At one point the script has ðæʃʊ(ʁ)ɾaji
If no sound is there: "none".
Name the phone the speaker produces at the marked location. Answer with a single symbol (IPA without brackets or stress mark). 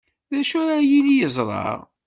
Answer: none